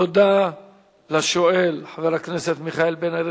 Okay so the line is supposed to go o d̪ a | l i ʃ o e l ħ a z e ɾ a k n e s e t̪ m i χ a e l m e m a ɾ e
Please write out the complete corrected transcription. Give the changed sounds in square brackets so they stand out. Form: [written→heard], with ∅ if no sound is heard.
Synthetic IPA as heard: o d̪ a | l [i→a] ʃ o e l ħ a [z→v] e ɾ a k n e s e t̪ m i χ a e l [m→b] e [m→n] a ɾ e